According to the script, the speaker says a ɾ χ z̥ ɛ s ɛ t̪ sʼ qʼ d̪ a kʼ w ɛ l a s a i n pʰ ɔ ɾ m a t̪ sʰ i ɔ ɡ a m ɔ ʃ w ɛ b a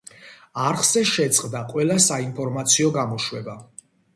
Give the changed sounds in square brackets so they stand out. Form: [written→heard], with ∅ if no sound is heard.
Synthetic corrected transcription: a ɾ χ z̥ ɛ [s→ʃ] ɛ t̪ sʼ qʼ d̪ a [kʼ→qʼ] w ɛ l a s a i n pʰ ɔ ɾ m a t̪ sʰ i ɔ ɡ a m ɔ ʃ w ɛ b a

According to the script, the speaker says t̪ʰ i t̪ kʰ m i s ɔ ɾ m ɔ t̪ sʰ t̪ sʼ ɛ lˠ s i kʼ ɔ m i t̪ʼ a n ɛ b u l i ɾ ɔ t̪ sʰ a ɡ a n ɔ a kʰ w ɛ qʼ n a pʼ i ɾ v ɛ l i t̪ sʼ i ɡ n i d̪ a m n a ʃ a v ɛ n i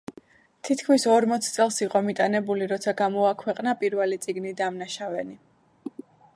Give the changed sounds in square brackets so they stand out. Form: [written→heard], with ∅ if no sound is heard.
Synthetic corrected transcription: t̪ʰ i t̪ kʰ m i s ɔ ɾ m ɔ t̪ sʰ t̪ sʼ ɛ lˠ s i [kʼ→qʼ] ɔ m i t̪ʼ a n ɛ b u l i ɾ ɔ t̪ sʰ a ɡ a [n→m] ɔ a kʰ w ɛ qʼ n a pʼ i ɾ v ɛ l i t̪ sʼ i ɡ n i d̪ a m n a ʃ a v ɛ n i

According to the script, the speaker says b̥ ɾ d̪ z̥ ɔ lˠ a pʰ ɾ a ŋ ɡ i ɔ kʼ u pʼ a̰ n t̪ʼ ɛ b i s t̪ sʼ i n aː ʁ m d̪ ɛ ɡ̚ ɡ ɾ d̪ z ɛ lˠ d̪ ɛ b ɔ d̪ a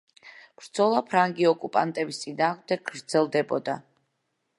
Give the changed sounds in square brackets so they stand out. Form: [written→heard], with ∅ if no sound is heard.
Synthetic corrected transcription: b̥ ɾ d̪ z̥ ɔ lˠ a pʰ ɾ a ŋ ɡ i ɔ kʼ u pʼ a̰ n t̪ʼ ɛ b i s t̪ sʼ i n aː ʁ m d̪ ɛ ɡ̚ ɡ ɾ d̪ z ɛ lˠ d̪ ɛ b ɔ d̪ a

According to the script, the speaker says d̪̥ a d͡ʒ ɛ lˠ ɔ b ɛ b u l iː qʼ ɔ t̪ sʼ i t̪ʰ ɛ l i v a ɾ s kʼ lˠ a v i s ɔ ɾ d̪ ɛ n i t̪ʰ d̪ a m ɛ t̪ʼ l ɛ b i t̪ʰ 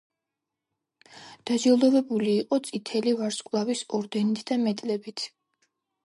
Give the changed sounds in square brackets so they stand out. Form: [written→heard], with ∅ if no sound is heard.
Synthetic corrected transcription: d̪̥ a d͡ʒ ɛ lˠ ɔ [b→v] ɛ b u l iː qʼ ɔ t̪ sʼ i t̪ʰ ɛ l i v a ɾ s kʼ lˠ a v i s ɔ ɾ d̪ ɛ n i t̪ʰ d̪ a m ɛ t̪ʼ l ɛ b i t̪ʰ

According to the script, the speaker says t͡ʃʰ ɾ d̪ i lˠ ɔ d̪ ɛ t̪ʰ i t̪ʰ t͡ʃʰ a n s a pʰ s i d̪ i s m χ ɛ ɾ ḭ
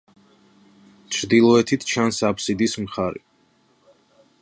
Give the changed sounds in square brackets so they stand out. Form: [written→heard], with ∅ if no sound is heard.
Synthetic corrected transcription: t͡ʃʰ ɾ d̪ i lˠ ɔ [d̪→∅] ɛ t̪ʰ i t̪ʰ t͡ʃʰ a n s a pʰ s i d̪ i s m χ [ɛ→a] ɾ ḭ

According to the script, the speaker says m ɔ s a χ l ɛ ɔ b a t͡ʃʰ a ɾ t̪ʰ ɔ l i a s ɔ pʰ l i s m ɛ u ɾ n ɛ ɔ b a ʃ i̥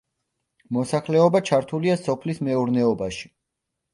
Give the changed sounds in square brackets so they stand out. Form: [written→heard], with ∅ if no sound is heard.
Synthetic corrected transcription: m ɔ s a χ l ɛ ɔ b a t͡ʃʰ a ɾ t̪ʰ [ɔ→u] l i a s ɔ pʰ l i s m ɛ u ɾ n ɛ ɔ b a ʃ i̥

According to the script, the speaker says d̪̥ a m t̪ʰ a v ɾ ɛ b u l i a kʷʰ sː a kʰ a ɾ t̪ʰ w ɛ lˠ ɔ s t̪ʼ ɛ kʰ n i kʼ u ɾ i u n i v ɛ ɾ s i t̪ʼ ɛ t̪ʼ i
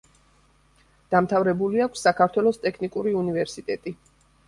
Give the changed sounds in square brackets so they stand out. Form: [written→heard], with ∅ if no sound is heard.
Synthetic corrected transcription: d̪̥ a m t̪ʰ a v ɾ ɛ b u l i a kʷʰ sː a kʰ a ɾ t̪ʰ w ɛ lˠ ɔ s t̪ʼ ɛ kʰ n i kʼ u ɾ i u n i v ɛ ɾ s i t̪ʼ ɛ t̪ʼ i

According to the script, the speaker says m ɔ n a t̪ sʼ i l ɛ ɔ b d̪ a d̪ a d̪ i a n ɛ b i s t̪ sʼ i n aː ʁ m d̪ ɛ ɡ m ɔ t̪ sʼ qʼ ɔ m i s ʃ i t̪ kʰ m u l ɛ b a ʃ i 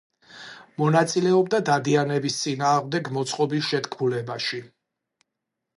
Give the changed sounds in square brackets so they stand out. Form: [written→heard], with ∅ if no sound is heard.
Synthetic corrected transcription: m ɔ n a t̪ sʼ i l ɛ ɔ b d̪ a d̪ a d̪ i a n ɛ b i s t̪ sʼ i n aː ʁ m d̪ ɛ ɡ m ɔ t̪ sʼ qʼ ɔ [m→b] i s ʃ [i→ɛ] t̪ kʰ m u l ɛ b a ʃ i

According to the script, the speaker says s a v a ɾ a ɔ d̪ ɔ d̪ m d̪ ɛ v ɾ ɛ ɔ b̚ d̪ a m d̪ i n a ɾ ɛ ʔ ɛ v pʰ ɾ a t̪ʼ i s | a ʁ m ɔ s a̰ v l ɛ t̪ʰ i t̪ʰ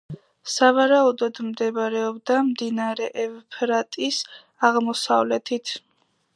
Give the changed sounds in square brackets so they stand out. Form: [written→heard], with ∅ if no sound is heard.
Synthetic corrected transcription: s a v a ɾ a [ɔ→u] d̪ ɔ d̪ m d̪ ɛ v ɾ ɛ ɔ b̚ d̪ a m d̪ i n a ɾ ɛ ʔ ɛ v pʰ ɾ a t̪ʼ i s | a ʁ m ɔ s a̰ v l ɛ t̪ʰ i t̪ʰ

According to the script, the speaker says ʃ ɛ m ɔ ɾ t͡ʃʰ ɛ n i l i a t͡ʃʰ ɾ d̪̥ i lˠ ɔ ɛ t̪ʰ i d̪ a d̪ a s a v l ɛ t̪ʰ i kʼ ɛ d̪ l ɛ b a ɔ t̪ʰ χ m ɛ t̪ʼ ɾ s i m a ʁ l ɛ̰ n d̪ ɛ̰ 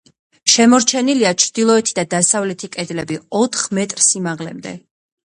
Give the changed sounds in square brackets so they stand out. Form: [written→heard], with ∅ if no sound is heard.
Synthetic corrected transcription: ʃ ɛ m ɔ ɾ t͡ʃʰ ɛ n i l i a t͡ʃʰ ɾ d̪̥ i lˠ ɔ ɛ t̪ʰ i d̪ a d̪ a s a v l ɛ t̪ʰ i kʼ ɛ d̪ l ɛ b [a→i] ɔ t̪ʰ χ m ɛ t̪ʼ ɾ s i m a ʁ l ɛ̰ [n→m] d̪ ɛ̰

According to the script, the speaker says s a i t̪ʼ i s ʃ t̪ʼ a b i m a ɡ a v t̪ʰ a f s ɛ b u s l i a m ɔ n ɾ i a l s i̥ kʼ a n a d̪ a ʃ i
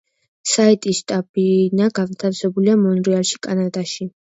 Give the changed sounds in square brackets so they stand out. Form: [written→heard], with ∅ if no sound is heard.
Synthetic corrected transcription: s a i t̪ʼ i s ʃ t̪ʼ a b i [m→n] a ɡ a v t̪ʰ a f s ɛ b u [s→∅] l i a m ɔ n ɾ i a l [s→ʃ] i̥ kʼ a n a d̪ a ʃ i

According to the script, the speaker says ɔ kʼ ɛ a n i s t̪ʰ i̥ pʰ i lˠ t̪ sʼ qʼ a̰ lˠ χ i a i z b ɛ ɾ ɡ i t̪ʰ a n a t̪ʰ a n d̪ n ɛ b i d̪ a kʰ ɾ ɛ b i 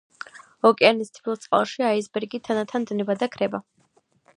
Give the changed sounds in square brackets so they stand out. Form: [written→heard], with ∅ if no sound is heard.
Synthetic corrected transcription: ɔ kʼ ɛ a n i s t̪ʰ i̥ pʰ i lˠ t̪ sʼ qʼ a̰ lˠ [χ→ʃ] i a i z b ɛ ɾ ɡ i t̪ʰ a n a t̪ʰ a n d̪ n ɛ b [i→a] d̪ a kʰ ɾ ɛ b [i→a]

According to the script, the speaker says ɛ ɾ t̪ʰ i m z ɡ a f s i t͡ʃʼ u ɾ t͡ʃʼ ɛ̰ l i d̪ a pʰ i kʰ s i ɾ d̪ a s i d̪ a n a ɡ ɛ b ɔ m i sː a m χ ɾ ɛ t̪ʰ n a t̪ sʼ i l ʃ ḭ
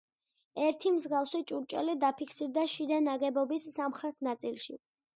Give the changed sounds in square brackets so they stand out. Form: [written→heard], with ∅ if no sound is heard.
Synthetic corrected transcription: ɛ ɾ t̪ʰ i m z ɡ a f s i t͡ʃʼ u ɾ t͡ʃʼ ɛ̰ l i d̪ a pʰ i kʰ s i ɾ d̪ a [s→ʃ] i d̪ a n a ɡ ɛ b ɔ [m→b] i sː a m χ ɾ ɛ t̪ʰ n a t̪ sʼ i l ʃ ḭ

